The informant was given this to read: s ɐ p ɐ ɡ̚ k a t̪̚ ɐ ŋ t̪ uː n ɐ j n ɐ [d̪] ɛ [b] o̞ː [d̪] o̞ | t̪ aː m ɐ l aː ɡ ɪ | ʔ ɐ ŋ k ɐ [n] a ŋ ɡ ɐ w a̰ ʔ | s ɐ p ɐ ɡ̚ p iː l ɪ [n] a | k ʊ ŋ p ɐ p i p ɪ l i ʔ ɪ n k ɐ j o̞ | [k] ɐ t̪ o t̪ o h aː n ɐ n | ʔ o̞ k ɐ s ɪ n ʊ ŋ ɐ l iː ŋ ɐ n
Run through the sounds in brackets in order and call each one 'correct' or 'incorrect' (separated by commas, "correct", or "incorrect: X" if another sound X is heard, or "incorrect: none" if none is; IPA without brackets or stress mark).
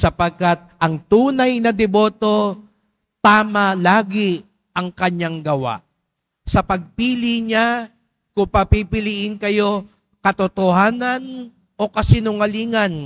correct, correct, incorrect: t̪, incorrect: ɲ, incorrect: ɲ, correct